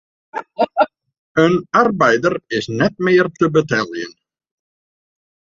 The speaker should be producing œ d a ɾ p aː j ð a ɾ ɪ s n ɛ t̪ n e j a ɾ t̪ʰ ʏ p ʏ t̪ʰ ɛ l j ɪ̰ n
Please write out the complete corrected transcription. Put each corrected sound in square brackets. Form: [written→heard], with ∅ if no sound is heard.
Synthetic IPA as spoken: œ [d→n] a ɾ p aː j ð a ɾ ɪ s n ɛ t̪ [n→m] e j a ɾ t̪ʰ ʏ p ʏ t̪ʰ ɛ l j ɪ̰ n